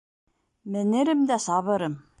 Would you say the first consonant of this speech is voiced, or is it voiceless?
voiced